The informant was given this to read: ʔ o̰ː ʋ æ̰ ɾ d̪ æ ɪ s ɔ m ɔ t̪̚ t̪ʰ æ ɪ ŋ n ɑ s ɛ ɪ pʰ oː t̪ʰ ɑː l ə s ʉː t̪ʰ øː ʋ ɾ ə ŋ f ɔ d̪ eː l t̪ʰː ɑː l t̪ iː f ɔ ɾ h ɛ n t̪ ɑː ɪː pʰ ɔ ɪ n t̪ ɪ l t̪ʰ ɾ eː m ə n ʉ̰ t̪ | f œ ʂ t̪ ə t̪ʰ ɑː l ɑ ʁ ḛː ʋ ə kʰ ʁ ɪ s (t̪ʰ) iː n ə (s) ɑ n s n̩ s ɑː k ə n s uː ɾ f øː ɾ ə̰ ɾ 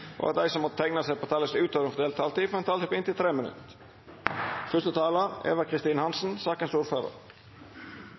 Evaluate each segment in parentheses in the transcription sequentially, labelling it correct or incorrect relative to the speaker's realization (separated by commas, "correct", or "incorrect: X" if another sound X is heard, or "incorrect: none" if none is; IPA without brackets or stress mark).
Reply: incorrect: t̪, incorrect: h